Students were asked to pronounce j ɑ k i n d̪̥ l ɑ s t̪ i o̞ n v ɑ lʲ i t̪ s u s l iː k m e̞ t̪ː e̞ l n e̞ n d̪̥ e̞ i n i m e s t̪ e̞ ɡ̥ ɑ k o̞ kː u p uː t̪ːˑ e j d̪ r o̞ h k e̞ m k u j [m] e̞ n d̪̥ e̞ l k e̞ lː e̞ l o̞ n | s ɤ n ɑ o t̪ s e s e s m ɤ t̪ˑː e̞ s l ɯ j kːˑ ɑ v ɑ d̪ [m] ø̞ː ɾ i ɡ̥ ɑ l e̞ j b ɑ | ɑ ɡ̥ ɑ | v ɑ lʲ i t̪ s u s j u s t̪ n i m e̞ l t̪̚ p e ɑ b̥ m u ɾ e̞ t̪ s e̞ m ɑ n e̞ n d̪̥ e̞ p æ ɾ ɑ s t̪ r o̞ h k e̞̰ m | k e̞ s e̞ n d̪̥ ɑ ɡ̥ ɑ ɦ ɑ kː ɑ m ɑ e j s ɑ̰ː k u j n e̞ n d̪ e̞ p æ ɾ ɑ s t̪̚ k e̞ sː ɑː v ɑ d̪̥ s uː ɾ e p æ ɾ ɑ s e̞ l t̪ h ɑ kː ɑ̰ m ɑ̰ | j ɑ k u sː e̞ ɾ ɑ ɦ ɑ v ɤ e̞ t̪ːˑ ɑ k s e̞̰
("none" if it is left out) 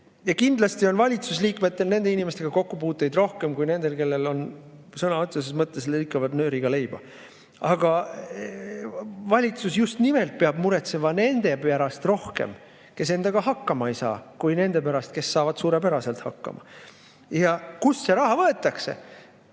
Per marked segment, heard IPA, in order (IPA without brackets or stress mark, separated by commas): n, n